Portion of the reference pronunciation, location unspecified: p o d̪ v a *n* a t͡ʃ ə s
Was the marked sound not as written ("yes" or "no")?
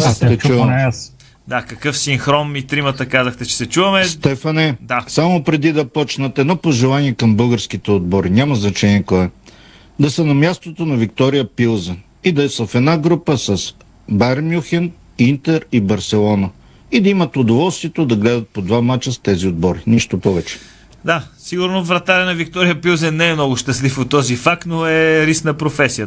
yes